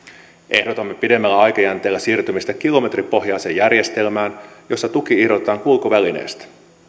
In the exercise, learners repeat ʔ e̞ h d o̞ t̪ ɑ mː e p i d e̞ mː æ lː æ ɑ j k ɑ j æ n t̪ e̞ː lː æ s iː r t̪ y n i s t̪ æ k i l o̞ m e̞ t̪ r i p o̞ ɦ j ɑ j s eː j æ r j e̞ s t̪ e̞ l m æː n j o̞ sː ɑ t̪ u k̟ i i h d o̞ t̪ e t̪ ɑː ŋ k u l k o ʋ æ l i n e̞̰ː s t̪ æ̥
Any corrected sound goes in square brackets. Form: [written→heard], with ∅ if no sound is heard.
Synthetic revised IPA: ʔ e̞ h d o̞ t̪ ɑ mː e p i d e̞ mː æ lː æ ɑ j k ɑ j æ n t̪ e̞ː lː æ s iː r t̪ y [n→m] i s t̪ æ k i l o̞ m e̞ t̪ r i p o̞ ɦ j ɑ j s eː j æ r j e̞ s t̪ e̞ l m æː n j o̞ sː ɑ t̪ u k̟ i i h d o̞ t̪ e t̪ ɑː ŋ k u l k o ʋ æ l i n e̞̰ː s t̪ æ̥